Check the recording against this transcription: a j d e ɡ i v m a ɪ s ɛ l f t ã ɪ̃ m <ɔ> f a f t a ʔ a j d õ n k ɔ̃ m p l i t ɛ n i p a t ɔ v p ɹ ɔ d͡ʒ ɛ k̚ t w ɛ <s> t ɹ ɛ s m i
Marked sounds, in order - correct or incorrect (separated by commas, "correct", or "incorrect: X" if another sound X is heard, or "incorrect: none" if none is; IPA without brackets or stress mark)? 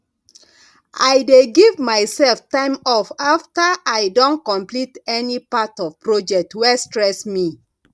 correct, correct